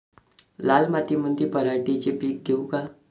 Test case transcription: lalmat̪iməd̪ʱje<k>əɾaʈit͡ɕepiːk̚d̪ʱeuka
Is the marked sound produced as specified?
no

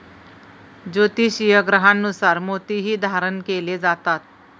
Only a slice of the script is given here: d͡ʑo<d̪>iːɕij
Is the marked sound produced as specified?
no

